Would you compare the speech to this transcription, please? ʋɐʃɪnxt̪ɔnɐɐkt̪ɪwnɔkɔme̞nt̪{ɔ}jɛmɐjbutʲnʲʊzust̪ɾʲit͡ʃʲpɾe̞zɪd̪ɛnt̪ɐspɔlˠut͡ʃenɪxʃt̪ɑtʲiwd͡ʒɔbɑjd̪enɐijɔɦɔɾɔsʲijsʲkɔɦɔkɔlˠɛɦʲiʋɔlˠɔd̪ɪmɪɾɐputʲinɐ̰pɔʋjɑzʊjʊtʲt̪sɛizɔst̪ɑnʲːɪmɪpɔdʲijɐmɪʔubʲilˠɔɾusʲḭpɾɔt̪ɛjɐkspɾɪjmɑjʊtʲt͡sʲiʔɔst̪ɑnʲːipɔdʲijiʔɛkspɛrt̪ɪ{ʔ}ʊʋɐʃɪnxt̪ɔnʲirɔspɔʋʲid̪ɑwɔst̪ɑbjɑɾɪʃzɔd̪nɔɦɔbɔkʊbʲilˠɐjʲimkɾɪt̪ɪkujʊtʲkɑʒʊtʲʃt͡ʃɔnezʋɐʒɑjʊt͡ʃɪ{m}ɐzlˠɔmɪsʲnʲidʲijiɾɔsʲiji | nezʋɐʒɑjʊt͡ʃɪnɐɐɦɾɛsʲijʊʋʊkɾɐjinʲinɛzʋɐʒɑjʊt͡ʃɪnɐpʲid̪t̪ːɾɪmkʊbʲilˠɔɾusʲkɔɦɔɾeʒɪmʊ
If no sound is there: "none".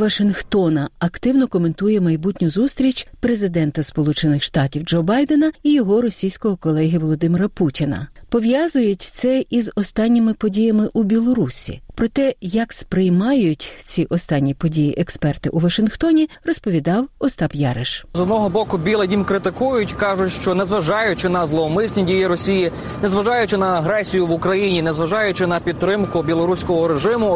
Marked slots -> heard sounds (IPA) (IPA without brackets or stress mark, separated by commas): u, ʔ, n